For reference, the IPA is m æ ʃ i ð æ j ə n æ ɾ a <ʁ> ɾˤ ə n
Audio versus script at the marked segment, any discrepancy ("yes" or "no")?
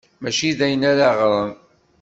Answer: no